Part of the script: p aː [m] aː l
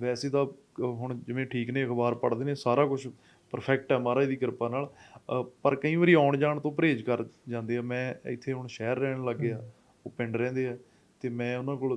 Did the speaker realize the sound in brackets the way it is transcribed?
no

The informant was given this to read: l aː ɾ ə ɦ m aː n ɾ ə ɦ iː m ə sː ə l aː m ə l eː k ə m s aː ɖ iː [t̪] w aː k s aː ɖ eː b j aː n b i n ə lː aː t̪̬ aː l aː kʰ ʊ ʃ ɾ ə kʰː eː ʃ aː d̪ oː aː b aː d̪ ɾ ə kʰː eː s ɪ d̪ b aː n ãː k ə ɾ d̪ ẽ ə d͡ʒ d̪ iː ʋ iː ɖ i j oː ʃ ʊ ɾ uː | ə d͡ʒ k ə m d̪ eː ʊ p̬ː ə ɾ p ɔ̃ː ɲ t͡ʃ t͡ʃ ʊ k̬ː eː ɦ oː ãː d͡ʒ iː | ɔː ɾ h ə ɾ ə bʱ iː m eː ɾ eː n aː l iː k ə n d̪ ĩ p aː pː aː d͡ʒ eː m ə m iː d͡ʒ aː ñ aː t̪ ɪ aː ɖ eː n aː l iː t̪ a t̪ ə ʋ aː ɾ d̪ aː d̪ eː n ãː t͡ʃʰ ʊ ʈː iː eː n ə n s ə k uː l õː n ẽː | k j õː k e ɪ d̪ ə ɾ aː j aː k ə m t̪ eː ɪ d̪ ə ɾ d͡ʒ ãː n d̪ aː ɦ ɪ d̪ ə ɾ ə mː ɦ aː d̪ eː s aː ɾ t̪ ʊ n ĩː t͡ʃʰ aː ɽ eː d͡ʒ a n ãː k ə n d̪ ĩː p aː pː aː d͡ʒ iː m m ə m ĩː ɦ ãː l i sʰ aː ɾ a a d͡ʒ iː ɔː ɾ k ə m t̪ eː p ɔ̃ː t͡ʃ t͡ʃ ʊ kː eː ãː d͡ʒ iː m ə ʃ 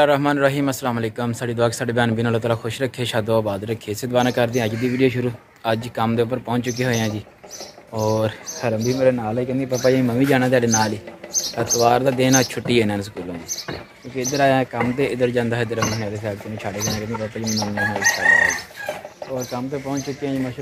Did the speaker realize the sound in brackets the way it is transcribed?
no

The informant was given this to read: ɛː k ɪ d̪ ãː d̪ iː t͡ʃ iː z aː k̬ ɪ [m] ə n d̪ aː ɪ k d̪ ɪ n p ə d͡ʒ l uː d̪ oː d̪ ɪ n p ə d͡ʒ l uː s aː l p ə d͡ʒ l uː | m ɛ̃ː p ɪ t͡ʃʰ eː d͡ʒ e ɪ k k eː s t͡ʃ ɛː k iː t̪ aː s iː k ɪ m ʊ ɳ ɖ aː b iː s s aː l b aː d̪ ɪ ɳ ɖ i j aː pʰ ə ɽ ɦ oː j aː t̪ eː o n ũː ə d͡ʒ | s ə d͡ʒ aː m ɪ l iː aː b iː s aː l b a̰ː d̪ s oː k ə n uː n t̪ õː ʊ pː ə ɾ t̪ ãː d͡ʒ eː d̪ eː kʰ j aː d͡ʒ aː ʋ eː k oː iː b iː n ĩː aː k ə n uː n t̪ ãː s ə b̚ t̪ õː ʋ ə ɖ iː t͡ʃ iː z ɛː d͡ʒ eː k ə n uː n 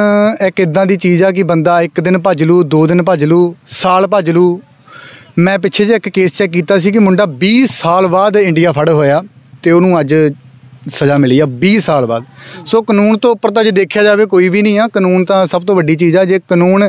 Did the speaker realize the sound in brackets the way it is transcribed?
no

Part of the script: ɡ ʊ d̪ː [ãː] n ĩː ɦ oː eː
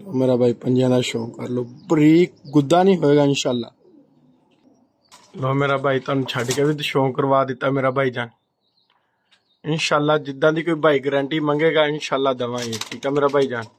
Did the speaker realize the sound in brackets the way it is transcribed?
no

